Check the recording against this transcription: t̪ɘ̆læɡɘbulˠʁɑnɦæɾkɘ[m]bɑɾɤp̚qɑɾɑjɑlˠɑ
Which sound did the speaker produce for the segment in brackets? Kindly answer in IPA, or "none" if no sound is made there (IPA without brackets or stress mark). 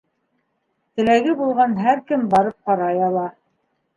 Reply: m